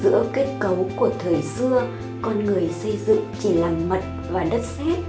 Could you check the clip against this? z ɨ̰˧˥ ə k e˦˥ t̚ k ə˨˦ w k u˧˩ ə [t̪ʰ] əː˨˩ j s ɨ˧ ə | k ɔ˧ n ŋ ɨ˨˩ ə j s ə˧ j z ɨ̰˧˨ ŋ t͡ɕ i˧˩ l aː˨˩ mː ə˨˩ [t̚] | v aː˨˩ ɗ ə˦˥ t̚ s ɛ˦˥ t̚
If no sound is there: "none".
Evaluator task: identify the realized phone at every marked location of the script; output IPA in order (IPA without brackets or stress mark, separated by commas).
t̪ʰ, t̚